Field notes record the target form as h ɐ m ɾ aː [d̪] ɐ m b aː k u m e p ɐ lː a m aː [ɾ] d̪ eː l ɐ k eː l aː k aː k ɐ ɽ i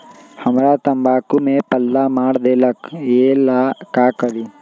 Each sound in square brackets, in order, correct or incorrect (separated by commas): incorrect, incorrect